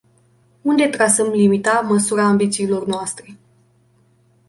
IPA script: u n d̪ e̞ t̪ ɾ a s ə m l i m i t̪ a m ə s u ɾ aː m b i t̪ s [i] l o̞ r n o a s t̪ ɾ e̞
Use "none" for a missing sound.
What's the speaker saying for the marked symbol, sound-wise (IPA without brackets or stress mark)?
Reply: iː